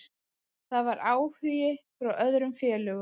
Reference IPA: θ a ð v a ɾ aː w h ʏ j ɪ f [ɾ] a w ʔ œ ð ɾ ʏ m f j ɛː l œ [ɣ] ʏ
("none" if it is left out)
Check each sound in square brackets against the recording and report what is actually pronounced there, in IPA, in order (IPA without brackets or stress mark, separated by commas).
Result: ɾ, ɣ